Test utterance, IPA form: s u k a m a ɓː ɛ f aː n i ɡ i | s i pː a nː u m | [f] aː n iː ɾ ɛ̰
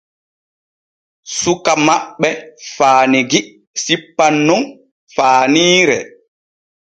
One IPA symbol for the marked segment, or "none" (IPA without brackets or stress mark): f